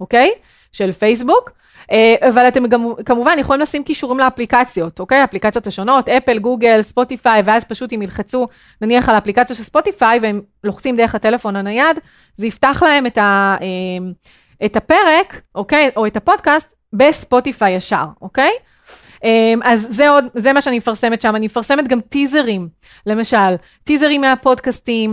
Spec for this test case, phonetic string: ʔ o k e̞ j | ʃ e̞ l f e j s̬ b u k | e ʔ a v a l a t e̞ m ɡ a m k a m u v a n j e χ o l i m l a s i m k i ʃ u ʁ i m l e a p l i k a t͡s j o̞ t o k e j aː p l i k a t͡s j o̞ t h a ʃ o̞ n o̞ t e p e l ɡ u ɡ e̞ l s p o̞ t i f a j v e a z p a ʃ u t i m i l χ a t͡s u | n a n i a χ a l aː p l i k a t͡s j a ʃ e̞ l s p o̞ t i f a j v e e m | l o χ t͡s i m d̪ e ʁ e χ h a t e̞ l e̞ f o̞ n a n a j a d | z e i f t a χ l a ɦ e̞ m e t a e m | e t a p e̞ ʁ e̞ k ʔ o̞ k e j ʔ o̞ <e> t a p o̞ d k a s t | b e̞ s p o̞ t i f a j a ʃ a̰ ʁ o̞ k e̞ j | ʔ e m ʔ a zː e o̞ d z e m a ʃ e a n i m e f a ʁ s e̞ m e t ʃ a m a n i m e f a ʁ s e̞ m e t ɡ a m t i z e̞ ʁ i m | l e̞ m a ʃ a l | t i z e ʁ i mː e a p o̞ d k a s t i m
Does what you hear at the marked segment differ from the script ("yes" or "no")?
no